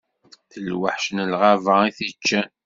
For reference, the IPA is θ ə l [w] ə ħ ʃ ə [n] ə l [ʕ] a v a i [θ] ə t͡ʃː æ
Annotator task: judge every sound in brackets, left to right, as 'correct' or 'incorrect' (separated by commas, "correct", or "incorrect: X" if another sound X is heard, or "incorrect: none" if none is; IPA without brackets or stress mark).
correct, correct, incorrect: ʁ, correct